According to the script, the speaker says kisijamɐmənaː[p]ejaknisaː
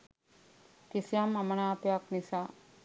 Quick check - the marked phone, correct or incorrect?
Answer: correct